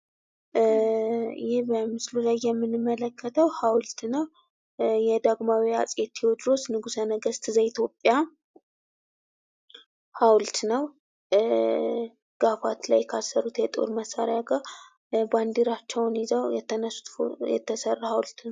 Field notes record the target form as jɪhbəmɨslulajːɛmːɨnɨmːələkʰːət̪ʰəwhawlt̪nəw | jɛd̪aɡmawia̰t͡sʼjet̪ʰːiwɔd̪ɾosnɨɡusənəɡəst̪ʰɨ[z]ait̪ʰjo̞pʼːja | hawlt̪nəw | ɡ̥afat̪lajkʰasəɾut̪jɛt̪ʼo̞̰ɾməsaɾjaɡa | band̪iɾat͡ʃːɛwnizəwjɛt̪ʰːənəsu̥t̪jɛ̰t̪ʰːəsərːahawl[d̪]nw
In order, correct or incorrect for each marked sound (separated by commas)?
correct, incorrect